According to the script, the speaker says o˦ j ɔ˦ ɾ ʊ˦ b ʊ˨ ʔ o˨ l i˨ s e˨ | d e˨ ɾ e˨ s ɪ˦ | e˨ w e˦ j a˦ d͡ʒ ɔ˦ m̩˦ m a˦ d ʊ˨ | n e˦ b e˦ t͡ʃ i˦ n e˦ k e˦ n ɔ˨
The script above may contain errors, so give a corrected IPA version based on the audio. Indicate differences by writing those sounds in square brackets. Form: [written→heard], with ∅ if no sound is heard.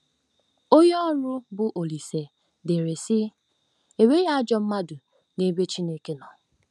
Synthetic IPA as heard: o˦ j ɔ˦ ɾ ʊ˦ b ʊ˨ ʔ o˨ l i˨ s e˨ | d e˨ ɾ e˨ s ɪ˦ | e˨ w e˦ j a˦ d͡ʒ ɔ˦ m̩˦ m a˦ d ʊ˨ | n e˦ b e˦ t͡ʃ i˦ n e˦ k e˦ n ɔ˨